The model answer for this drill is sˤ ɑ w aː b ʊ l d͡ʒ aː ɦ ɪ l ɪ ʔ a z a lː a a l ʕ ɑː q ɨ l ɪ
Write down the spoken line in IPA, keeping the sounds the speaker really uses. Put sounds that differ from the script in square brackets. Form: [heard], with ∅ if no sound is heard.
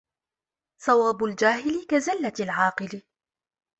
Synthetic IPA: sˤ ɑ w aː b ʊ l d͡ʒ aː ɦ ɪ l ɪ [k] a z a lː a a l ʕ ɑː q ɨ l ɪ

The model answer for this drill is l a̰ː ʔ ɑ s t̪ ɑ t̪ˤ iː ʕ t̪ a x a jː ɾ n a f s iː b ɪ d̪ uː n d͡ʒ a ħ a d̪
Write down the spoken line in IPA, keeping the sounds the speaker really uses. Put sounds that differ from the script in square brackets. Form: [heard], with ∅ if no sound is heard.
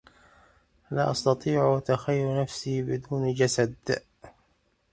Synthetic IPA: l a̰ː ʔ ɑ s t̪ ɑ t̪ˤ iː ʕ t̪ a x a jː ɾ n a f s iː b ɪ d̪ uː n d͡ʒ a [s] a d̪

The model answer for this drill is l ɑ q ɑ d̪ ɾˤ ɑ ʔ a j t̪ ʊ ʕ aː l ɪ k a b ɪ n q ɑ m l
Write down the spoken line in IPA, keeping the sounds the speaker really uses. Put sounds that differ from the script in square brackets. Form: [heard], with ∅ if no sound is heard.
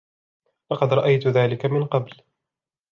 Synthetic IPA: l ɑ q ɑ d̪ ɾˤ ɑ ʔ a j t̪ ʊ [ð] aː l ɪ k a [m] ɪ n q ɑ [b] l

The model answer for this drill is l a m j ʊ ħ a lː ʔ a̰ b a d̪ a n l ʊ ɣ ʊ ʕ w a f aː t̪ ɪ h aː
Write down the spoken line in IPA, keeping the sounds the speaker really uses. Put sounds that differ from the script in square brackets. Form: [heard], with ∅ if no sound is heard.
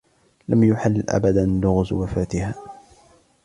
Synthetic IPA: l a m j ʊ ħ a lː ʔ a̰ b a d̪ a n l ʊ ɣ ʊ [z] w a f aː t̪ ɪ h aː

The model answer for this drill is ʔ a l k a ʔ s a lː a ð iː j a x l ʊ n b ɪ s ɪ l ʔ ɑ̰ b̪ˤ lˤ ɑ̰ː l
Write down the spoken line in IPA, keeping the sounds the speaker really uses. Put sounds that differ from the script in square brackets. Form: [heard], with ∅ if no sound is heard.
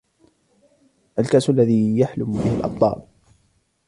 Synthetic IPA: ʔ a l k a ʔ s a lː a ð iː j a [ħ] l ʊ [m] b ɪ [h] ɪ l ʔ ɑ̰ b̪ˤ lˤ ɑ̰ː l

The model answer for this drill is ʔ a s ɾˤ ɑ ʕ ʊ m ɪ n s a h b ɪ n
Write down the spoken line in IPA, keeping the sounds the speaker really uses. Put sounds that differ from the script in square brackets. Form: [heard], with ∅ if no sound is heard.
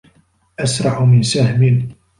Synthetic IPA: ʔ a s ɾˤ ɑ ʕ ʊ m ɪ n s a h [m] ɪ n

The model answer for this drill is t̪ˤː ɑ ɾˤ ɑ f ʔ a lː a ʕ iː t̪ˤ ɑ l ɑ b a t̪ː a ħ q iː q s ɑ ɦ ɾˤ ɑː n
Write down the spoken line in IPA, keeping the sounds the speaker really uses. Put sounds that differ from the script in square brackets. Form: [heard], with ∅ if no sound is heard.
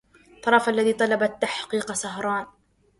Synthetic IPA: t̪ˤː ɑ ɾˤ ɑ f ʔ a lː a [ð] iː t̪ˤ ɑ l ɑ b a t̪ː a ħ q iː q s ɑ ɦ ɾˤ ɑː n

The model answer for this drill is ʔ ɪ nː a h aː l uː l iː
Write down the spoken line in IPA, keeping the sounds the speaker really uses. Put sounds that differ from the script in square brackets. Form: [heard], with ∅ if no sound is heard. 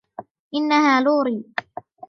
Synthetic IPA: ʔ ɪ nː a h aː l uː [ɾ] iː

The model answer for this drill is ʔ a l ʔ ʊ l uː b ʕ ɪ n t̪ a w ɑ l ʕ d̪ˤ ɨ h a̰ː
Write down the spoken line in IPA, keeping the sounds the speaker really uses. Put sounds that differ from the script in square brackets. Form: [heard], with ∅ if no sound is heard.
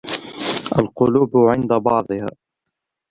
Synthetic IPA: ʔ a l [q] ʊ l uː b ʕ ɪ n [d̪] a [b] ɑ [∅] ʕ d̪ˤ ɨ h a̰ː

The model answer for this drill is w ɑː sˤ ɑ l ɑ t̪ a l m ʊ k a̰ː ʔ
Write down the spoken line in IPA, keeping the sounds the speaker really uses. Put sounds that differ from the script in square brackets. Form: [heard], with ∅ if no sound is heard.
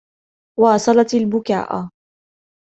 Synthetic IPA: w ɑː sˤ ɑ l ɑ t̪ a l [b] ʊ k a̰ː ʔ

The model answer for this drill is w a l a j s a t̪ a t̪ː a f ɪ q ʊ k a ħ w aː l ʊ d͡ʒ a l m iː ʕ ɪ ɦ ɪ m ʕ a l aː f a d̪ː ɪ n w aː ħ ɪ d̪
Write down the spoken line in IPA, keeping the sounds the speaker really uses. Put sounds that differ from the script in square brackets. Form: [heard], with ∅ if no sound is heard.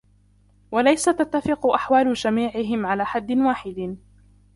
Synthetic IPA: w a l a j s a t̪ a t̪ː a f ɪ q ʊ [ʔ] a ħ w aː l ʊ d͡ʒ a [∅] m iː ʕ ɪ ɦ ɪ m ʕ a l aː [ħ] a d̪ː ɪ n w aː ħ ɪ d̪

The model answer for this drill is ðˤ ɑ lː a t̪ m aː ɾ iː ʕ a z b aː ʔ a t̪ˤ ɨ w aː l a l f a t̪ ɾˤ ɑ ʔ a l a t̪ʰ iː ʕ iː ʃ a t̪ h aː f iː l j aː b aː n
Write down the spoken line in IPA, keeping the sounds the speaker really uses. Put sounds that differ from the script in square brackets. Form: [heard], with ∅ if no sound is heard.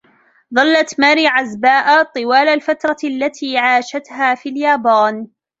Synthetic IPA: ðˤ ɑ lː a t̪ m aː ɾ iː ʕ a z b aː ʔ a t̪ˤ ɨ w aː l a l f a t̪ ɾˤ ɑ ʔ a [lː] a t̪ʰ iː ʕ [aː] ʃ a t̪ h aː f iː l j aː b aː n

